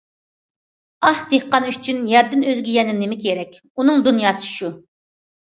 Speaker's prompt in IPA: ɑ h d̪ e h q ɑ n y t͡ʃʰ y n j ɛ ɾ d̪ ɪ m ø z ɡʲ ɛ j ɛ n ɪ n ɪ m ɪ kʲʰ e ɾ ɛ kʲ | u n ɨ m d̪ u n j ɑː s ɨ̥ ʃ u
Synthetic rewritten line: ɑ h d̪ e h q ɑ n y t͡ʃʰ y n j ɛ ɾ d̪ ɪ n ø z ɡʲ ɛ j ɛ n ɪ n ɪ m ɪ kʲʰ e ɾ ɛ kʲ | u n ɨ ŋ d̪ u n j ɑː s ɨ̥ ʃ u